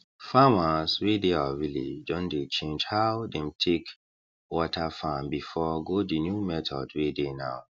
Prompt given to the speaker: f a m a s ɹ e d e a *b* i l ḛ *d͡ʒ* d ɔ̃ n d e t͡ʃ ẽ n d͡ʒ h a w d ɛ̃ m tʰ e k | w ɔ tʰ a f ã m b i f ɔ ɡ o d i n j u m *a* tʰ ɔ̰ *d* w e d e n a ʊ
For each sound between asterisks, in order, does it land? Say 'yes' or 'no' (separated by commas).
no, yes, no, yes